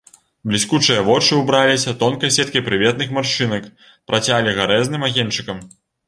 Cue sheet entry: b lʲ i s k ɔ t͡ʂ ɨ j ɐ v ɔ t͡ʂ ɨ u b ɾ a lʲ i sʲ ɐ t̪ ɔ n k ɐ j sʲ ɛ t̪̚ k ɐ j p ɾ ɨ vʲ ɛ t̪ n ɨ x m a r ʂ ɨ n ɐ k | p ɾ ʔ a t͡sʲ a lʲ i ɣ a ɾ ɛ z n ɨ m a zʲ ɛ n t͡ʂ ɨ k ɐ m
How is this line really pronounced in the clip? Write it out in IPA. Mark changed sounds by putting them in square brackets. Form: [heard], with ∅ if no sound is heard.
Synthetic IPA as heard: b lʲ i s k [u] t͡ʂ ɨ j ɐ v ɔ t͡ʂ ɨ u b ɾ a lʲ i sʲ ɐ t̪ ɔ n k ɐ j sʲ ɛ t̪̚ k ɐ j p ɾ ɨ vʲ ɛ t̪ n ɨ x m a r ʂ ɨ n ɐ k | p ɾ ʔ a t͡sʲ a lʲ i ɣ a ɾ ɛ z n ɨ m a [ɣʲ] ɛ n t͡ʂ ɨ k ɐ m

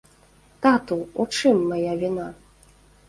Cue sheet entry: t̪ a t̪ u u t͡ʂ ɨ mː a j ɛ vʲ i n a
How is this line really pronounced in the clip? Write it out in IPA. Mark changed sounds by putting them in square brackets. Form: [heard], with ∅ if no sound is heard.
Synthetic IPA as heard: t̪ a t̪ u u t͡ʂ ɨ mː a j [a] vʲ i n a

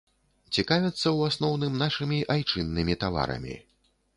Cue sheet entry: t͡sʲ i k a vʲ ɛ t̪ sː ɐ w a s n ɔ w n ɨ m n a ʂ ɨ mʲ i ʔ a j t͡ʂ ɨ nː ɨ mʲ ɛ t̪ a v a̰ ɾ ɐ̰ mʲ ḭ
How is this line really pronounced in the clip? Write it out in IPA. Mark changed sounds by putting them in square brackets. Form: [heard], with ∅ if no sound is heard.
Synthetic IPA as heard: t͡sʲ i k a vʲ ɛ t̪ sː ɐ w a s n ɔ w n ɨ m n a ʂ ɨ mʲ i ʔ a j t͡ʂ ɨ nː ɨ mʲ [i] t̪ a v a̰ ɾ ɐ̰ mʲ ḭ

